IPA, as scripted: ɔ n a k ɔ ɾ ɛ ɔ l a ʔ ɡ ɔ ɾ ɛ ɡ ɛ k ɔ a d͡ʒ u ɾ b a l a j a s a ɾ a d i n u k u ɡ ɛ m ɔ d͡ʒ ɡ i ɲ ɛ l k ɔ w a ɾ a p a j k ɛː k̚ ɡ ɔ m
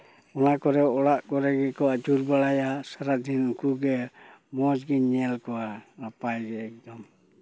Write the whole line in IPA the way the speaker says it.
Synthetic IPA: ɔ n a k ɔ ɾ ɛ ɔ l a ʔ ɡ ɔ ɾ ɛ ɡ ɛ k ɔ a d͡ʒ u ɾ b a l a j a s a ɾ a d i n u k u ɡ ɛ m ɔ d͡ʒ ɡ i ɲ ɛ l k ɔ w a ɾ a p a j ɡ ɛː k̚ d ɔ m

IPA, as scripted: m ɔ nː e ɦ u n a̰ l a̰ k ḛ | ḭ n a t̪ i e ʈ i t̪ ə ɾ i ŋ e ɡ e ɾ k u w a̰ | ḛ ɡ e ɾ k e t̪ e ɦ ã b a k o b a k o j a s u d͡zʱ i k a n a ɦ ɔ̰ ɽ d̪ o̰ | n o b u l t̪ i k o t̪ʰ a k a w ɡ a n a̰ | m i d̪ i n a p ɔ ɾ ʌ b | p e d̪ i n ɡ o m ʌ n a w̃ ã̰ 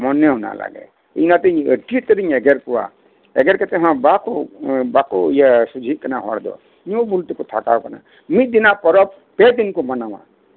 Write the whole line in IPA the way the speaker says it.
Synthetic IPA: m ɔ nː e ɦ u n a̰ l a̰ ɡ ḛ | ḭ n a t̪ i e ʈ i t̪ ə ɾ i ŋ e ɡ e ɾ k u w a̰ | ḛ ɡ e ɾ k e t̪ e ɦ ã b a k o b a k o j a s u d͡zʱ i k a n a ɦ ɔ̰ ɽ d̪ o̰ | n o b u l t̪ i k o t̪ʰ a k a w k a n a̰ | m i d̪ i n a p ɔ ɾ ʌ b | p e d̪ i n k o m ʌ n a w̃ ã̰

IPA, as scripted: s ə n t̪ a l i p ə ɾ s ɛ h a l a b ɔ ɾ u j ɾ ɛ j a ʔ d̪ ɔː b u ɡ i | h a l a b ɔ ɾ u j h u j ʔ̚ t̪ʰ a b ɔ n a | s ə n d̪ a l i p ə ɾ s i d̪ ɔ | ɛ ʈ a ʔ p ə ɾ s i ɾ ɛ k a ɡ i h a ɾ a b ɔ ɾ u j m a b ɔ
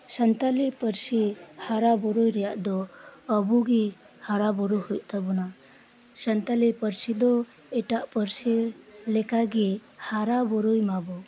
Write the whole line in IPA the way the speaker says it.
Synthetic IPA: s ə n t̪ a l i p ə ɾ s i h a ɾ a b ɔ ɾ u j ɾ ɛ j a ʔ d̪ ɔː b u ɡ i | h a ɾ a b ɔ ɾ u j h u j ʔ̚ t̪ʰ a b ɔ n a | s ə n t̪ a l i p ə ɾ s i d̪ ɔ | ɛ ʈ a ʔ p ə ɾ s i l ɛ k a ɡ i h a ɾ a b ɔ ɾ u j m a b ɔ

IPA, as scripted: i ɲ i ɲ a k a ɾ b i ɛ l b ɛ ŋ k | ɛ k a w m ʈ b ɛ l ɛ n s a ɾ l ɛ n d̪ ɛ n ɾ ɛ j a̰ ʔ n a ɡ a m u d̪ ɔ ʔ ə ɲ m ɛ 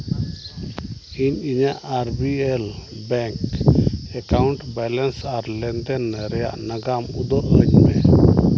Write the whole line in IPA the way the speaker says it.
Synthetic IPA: i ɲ i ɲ a ʔ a ɾ b i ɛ l b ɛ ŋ k | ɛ k a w ɳ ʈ b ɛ l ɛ n s a ɾ l ɛ n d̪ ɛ n ɾ ɛ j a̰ ʔ n a ɡ a m u d̪ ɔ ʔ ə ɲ m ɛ

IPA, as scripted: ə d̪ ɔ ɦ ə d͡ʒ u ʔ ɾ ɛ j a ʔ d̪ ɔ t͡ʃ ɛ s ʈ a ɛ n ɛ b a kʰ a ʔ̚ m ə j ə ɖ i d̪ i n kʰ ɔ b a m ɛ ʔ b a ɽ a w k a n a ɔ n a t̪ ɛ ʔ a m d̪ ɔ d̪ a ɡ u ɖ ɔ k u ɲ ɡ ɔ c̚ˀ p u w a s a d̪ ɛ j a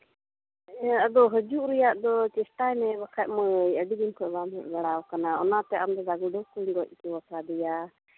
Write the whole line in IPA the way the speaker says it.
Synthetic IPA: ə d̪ ɔ ɦ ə d͡ʒ u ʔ ɾ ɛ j a ʔ d̪ ɔ t͡ʃ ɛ s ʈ a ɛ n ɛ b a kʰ a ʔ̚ m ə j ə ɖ i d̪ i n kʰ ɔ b a m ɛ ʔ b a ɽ a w k a n a ɔ n a t̪ ɛ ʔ a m d̪ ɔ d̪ a ɡ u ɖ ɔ k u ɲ ɡ ɔ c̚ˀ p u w a s a d̪ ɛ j a

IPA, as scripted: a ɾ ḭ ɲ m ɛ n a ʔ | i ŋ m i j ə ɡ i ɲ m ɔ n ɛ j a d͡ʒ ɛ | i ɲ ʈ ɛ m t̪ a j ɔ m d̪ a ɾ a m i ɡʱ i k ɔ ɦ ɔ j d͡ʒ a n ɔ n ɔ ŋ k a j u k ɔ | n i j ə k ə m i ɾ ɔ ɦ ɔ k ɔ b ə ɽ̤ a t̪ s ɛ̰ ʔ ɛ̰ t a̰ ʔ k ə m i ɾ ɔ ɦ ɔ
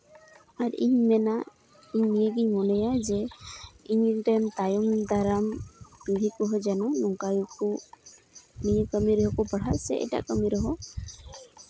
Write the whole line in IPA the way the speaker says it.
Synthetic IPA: a ɾ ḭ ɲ m ɛ n a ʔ | i ɲ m i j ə ɡ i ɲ m ɔ n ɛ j a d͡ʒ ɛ | i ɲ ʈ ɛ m t̪ a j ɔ m d̪ a ɾ a m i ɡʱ i k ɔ ɦ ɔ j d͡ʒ a n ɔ n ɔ ŋ k a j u k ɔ | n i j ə k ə m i ɾ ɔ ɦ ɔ k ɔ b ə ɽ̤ a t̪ s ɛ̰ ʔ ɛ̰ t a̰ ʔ k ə m i ɾ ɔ ɦ ɔ

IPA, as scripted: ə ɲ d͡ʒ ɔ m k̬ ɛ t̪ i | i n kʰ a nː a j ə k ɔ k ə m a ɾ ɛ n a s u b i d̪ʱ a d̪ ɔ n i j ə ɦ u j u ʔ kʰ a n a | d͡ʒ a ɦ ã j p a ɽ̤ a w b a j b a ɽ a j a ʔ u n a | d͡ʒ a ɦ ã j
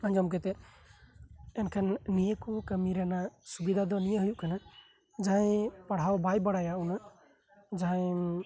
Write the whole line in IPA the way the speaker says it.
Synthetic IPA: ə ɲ d͡ʒ ɔ m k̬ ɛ t̪ ɛ | ɛ n kʰ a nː i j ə k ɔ k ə m i ɾ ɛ n a s u b i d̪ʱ a d̪ ɔ n i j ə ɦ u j u ʔ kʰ a n a | d͡ʒ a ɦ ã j p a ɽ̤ a w b a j b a ɽ a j a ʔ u n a | d͡ʒ a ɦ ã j

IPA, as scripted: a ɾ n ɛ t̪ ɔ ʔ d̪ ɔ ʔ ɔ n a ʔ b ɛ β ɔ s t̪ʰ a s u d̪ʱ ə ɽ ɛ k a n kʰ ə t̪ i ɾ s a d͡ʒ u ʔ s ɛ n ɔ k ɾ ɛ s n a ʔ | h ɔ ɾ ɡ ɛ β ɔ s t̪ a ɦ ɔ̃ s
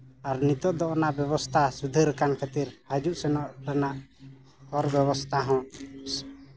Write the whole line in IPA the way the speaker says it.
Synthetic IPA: a ɾ n i t̪ ɔ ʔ d̪ ɔ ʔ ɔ n a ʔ b ɛ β ɔ s t̪ʰ a s u d̪ʱ ə ɾ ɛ k a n kʰ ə t̪ i ɾ h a d͡ʒ u ʔ s ɛ n ɔ ʔ ɾ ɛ n a ʔ | h ɔ ɾ b ɛ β ɔ s t̪ʰ a ɦ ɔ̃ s

